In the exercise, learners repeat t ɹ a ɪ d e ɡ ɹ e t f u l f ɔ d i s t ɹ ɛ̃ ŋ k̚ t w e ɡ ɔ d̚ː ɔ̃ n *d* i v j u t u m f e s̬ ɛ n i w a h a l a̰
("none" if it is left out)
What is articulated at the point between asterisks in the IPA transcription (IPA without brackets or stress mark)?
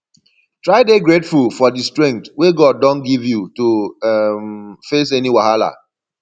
ɡ